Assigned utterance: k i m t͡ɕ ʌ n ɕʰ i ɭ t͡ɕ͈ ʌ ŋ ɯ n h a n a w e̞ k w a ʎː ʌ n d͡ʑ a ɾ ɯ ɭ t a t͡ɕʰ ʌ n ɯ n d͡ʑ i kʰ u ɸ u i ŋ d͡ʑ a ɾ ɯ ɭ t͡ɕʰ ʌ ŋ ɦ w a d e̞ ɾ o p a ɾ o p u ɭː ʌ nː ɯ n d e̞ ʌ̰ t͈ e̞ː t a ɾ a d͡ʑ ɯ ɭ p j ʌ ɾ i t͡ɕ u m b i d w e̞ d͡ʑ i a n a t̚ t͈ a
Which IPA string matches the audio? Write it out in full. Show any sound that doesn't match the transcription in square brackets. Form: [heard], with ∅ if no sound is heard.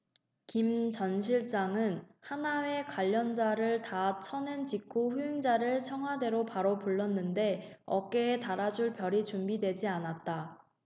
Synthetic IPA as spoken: k i m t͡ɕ ʌ n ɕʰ i ɭ t͡ɕ͈ [a] ŋ ɯ n h a n a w e̞ k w a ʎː ʌ n d͡ʑ a ɾ ɯ ɭ t a t͡ɕʰ ʌ n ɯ n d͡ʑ i kʰ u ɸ u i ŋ d͡ʑ a ɾ ɯ ɭ t͡ɕʰ ʌ ŋ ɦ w a d e̞ ɾ o p a ɾ o p u ɭː ʌ nː ɯ n d e̞ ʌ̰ [k͈] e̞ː t a ɾ a d͡ʑ [u] ɭ p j ʌ ɾ i t͡ɕ u m b i d w e̞ d͡ʑ i a n a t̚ t͈ a